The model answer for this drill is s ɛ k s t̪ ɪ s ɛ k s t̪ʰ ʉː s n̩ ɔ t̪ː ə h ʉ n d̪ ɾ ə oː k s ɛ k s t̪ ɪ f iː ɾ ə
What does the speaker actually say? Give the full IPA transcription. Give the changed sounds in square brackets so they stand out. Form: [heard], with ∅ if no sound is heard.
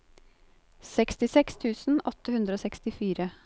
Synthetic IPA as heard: s ɛ k s t̪ ɪ s ɛ k s t̪ʰ ʉː s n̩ ɔ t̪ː ə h ʉ n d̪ ɾ ə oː [∅] s ɛ k s t̪ ɪ f iː ɾ ə